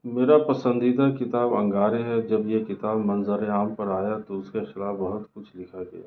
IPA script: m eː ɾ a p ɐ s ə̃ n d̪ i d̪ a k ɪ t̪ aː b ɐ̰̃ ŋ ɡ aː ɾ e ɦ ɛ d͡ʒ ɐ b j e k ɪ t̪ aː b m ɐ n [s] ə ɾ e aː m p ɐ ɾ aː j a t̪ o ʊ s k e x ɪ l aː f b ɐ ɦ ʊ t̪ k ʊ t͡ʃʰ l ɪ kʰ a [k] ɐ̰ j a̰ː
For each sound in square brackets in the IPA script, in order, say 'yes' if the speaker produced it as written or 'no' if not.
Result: no, no

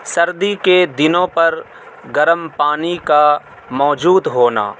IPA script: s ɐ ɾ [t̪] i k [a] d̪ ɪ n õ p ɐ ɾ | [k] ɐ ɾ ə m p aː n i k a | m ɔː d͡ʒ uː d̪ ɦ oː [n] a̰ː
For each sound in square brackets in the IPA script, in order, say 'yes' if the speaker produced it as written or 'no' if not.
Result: no, no, no, yes

